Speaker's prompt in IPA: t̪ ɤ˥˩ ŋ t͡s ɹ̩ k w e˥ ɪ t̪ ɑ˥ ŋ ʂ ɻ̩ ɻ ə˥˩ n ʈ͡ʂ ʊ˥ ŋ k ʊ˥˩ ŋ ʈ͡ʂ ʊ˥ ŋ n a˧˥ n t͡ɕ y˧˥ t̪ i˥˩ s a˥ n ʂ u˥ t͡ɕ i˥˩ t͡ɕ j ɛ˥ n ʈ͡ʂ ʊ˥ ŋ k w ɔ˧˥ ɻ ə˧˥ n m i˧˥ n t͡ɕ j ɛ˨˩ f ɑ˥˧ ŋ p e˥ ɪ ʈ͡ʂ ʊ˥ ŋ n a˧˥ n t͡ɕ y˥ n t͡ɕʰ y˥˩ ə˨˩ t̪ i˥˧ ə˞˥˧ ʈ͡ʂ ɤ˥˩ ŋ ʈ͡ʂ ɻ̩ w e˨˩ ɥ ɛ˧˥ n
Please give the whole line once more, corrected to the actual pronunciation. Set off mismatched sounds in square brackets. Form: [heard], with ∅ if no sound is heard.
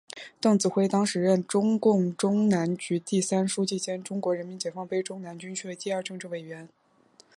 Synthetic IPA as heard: t̪ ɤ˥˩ ŋ t͡s ɹ̩ [x] w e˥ ɪ t̪ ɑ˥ ŋ ʂ ɻ̩ ɻ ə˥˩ n ʈ͡ʂ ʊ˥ ŋ k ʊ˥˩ ŋ ʈ͡ʂ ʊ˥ ŋ n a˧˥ n t͡ɕ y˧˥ t̪ i˥˩ s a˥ n ʂ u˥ t͡ɕ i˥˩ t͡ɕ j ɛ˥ n ʈ͡ʂ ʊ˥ ŋ k w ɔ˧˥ ɻ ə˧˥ n m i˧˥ n t͡ɕ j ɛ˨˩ f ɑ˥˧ ŋ p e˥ ɪ ʈ͡ʂ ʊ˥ ŋ n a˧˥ n t͡ɕ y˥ n t͡ɕʰ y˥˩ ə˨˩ t̪ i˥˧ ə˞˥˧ ʈ͡ʂ [ɤ˥˧] ŋ ʈ͡ʂ ɻ̩ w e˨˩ ɥ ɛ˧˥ n

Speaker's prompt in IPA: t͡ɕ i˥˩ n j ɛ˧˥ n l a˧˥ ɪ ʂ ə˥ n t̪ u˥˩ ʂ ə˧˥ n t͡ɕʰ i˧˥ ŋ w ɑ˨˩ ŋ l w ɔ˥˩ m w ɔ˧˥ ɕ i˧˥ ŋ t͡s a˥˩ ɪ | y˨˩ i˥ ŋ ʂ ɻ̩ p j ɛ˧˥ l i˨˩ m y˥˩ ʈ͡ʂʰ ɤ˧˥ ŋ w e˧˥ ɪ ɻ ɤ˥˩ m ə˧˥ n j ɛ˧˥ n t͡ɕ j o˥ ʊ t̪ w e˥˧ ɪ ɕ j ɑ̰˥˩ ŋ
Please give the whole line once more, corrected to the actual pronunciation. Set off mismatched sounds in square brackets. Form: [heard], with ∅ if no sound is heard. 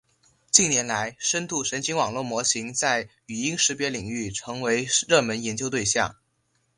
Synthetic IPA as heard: t͡ɕ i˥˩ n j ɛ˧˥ n l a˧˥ ɪ ʂ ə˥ n t̪ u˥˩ ʂ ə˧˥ n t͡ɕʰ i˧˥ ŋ w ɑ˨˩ ŋ l w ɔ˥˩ m w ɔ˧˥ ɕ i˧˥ ŋ t͡s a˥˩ ɪ | y˨˩ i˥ ŋ ʂ ɻ̩ p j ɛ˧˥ l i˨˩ [ŋ] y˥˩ ʈ͡ʂʰ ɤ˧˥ ŋ w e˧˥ ɪ ɻ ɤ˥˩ m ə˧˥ n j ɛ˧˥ n t͡ɕ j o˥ ʊ t̪ w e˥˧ ɪ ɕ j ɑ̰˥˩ ŋ

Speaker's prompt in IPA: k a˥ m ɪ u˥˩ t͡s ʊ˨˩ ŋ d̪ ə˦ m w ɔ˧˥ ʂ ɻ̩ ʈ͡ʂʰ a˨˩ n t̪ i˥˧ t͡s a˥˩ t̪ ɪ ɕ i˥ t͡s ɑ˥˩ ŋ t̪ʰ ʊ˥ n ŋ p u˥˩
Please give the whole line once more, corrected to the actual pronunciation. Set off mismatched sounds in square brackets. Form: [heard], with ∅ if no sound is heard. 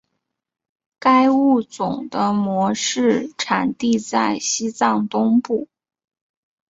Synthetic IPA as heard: k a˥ [∅] ɪ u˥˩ t͡s ʊ˨˩ ŋ d̪ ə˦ m w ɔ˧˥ ʂ ɻ̩ ʈ͡ʂʰ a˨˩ n t̪ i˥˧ t͡s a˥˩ [∅] ɪ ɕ i˥ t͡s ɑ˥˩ ŋ [t̪] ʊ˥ [∅] ŋ p u˥˩

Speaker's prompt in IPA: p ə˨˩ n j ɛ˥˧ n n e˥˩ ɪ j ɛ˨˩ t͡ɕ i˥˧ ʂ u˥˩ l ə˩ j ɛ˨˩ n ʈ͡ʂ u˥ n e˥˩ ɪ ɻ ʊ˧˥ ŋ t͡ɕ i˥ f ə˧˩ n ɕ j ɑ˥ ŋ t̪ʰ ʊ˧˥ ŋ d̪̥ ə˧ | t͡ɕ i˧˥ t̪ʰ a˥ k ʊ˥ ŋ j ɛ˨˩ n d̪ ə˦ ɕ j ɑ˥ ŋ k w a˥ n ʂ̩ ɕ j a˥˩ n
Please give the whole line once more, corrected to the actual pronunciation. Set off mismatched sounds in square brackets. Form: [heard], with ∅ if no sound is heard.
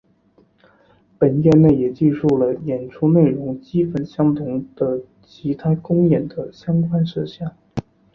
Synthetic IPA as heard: p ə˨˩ n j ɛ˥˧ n n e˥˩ ɪ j ɛ˨˩ t͡ɕ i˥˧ ʂ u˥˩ l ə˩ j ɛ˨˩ n [ʈ͡ʂʰ] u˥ n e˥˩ ɪ ɻ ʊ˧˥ ŋ t͡ɕ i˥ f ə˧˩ n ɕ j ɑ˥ ŋ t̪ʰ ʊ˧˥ ŋ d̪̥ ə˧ | [t͡ɕʰ] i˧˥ t̪ʰ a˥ k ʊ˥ ŋ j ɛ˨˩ n d̪ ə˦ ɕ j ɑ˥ ŋ k w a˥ n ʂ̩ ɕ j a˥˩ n

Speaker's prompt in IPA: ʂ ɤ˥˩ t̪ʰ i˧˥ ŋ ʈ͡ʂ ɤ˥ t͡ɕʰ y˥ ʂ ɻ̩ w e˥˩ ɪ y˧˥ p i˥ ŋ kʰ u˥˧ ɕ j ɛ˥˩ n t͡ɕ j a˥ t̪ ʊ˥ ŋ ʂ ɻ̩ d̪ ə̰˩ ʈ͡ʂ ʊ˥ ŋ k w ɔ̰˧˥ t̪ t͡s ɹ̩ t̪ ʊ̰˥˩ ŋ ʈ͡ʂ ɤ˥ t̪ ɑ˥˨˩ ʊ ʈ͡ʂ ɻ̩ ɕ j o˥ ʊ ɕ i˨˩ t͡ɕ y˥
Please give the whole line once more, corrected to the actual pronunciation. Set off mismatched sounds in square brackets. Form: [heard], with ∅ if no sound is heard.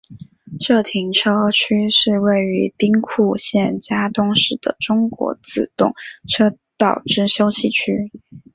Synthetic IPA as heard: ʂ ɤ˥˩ t̪ʰ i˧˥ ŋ [ʈ͡ʂʰ] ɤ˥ t͡ɕʰ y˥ ʂ ɻ̩ w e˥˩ ɪ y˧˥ p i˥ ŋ kʰ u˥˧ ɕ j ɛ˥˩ n t͡ɕ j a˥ t̪ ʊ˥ ŋ ʂ ɻ̩ d̪ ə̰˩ ʈ͡ʂ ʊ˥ ŋ k w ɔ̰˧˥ [∅] t͡s ɹ̩ t̪ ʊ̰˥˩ ŋ [ʈ͡ʂʰ] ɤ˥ t̪ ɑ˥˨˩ ʊ ʈ͡ʂ ɻ̩ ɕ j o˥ ʊ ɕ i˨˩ [t͡ɕʰ] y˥

